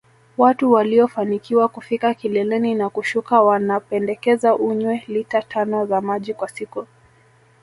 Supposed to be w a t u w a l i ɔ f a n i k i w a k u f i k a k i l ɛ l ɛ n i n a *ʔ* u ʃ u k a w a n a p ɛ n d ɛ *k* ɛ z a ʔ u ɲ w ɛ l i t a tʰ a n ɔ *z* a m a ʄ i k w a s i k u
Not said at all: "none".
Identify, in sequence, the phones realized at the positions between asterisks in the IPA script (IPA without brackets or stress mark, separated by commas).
k, k, z